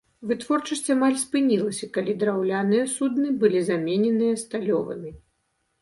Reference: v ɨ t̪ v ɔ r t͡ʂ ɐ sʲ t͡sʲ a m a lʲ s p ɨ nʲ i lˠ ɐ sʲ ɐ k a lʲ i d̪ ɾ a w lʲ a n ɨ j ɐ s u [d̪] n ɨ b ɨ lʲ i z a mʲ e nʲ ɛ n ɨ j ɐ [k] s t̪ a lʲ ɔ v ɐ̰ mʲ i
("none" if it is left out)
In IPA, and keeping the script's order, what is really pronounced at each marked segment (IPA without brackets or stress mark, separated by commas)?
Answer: d̪, none